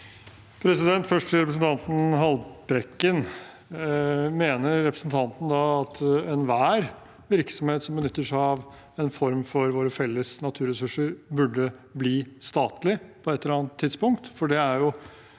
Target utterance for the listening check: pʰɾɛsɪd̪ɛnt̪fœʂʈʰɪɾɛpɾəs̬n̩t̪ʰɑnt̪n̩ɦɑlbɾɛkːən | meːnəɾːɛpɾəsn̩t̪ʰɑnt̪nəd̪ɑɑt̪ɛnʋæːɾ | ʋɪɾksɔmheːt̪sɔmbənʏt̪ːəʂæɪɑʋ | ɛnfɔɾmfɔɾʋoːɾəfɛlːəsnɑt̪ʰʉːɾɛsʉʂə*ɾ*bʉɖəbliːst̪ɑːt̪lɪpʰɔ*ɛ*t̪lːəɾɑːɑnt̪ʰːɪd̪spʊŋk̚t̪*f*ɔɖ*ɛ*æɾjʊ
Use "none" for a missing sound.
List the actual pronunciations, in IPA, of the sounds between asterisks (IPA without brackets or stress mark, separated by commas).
ɾ, ɛ, f, ɛ